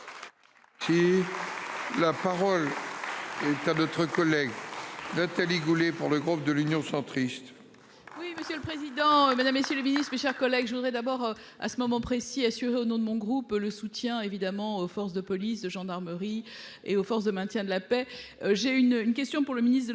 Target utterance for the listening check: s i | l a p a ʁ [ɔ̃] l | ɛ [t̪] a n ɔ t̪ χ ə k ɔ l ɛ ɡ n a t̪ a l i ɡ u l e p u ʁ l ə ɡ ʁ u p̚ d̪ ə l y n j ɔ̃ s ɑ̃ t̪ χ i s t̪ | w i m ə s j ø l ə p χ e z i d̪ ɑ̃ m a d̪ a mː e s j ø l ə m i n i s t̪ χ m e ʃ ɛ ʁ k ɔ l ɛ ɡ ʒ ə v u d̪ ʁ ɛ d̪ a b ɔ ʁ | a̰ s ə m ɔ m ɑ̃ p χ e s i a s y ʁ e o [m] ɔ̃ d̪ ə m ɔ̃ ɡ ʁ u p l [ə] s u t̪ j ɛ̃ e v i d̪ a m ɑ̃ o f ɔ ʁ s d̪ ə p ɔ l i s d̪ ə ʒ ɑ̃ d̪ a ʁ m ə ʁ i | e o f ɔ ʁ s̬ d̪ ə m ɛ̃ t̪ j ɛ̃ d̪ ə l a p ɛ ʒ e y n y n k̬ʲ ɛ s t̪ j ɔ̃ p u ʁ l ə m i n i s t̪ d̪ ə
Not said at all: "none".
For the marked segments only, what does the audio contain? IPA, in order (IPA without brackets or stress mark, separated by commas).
ɔ, t̪, n, ə